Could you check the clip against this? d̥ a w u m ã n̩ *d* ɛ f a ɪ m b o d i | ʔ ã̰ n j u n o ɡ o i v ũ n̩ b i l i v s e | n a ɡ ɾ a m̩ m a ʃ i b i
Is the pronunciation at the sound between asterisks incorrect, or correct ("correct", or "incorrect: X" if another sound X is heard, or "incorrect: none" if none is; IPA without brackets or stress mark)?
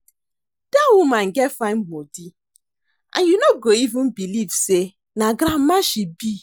incorrect: ɡ